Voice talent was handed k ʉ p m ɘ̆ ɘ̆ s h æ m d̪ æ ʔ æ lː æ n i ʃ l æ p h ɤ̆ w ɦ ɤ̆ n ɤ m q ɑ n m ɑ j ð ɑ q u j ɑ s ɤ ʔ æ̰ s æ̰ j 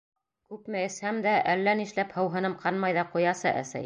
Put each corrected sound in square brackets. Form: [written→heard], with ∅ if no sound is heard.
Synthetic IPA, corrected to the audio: k ʉ p m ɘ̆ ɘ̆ s h æ m d̪ æ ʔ æ lː æ n i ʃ l æ p h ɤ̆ w ɦ ɤ̆ n ɤ m q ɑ n m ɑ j ð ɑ q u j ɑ s ɤ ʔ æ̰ s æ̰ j